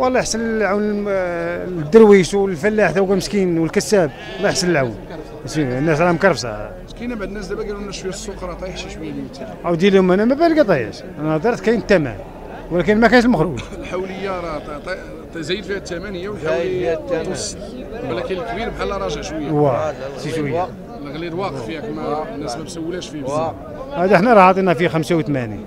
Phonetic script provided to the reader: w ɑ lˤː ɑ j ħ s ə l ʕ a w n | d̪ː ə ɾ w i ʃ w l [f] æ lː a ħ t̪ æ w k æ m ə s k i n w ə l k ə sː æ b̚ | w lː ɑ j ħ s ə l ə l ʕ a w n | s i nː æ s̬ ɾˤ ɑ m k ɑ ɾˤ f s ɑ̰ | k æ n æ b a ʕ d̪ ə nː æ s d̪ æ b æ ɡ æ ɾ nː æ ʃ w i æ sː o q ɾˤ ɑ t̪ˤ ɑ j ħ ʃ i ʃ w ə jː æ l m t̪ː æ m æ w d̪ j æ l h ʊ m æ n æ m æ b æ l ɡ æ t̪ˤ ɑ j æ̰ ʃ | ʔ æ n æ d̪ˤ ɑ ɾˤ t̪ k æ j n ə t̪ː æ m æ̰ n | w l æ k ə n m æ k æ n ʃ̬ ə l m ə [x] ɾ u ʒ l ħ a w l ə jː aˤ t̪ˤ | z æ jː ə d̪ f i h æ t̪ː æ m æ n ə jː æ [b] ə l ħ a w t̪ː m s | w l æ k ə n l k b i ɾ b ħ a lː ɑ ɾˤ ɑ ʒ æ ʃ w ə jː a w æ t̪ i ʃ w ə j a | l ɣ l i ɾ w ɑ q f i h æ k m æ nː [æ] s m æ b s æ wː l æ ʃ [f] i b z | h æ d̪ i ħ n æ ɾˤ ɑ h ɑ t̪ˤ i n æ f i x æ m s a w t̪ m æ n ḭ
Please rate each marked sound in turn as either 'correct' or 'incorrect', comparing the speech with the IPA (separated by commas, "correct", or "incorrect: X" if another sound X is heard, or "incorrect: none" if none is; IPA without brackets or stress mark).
correct, correct, incorrect: w, correct, correct